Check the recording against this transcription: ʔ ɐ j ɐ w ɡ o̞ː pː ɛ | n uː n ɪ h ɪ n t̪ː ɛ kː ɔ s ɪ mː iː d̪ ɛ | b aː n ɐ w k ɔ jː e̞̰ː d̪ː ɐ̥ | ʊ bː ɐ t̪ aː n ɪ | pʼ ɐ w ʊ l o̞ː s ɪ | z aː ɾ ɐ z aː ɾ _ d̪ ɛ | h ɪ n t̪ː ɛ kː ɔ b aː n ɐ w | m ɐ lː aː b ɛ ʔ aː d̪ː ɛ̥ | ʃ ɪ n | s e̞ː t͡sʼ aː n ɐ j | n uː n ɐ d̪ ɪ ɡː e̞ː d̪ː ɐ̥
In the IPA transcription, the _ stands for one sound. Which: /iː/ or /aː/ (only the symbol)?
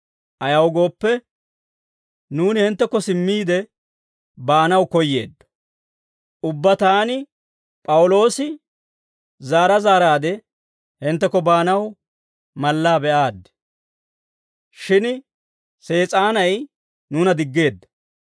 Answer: aː